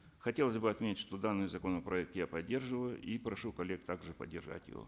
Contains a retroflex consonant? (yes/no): yes